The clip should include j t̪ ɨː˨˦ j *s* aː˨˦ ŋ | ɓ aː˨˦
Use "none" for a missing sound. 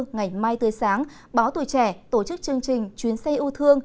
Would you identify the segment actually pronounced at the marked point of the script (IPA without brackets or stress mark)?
s